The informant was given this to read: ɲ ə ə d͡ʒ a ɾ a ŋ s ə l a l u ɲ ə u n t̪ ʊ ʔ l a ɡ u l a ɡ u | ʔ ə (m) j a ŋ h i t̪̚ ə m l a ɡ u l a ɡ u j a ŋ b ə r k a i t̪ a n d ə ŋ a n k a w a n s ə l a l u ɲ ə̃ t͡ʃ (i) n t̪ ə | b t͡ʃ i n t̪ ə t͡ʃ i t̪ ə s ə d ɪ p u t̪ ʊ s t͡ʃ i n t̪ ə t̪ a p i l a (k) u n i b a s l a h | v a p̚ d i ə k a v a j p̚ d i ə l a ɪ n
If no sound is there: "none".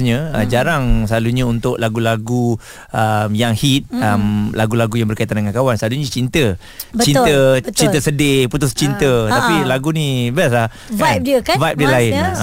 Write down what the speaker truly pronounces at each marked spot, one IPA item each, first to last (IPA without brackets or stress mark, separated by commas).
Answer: m, i, ɡ